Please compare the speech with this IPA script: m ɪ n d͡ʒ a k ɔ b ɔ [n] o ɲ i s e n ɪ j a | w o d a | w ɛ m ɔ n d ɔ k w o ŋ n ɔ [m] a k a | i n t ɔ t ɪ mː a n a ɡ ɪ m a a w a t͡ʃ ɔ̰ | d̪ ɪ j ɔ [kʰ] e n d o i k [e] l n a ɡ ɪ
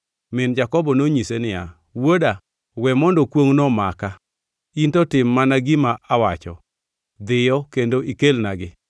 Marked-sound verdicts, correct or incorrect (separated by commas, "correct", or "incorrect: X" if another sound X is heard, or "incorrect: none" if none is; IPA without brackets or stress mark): correct, correct, incorrect: k, correct